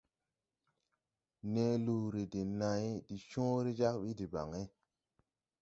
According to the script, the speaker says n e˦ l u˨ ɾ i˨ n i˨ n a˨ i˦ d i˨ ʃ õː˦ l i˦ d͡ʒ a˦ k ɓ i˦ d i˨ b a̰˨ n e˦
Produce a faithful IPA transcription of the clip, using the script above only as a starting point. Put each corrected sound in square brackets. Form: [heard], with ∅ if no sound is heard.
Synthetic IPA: n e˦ l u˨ ɾ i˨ [d] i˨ n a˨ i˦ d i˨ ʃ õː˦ [ɾ] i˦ d͡ʒ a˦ k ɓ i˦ d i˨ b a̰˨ [ŋ] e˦